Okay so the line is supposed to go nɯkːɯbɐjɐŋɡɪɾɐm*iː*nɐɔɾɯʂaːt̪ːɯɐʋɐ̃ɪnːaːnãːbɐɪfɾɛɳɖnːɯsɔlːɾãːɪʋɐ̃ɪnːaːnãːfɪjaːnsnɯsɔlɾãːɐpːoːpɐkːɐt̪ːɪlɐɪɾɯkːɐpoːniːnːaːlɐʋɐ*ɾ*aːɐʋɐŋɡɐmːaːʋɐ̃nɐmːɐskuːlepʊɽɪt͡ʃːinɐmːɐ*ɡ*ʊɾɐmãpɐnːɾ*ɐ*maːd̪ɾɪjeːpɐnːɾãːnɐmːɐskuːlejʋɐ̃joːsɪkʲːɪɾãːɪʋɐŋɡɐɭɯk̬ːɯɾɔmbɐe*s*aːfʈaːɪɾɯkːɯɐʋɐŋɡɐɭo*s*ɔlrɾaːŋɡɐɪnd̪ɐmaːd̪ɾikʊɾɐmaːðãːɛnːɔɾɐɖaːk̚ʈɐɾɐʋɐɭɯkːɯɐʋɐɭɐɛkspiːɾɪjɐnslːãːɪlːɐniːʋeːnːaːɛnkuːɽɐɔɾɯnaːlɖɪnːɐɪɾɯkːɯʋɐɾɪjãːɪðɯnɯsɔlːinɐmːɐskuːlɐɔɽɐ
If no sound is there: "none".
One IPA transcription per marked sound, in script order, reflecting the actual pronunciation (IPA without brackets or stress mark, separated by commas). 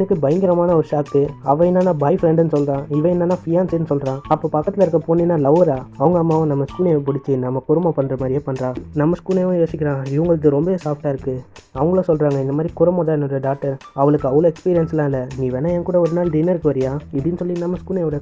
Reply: aː, ɾ, k, ɐ, s, s